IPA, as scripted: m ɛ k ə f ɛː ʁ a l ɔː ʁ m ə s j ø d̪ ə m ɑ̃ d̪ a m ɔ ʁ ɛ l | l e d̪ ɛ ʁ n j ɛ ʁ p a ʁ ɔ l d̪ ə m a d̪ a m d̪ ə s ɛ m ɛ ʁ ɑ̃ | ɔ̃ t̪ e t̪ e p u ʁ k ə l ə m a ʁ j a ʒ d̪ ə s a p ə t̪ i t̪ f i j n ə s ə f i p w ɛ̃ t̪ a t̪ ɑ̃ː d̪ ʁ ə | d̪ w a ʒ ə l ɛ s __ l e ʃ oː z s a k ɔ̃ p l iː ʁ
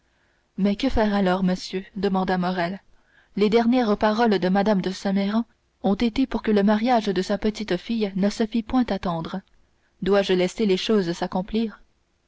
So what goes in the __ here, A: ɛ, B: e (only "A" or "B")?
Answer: B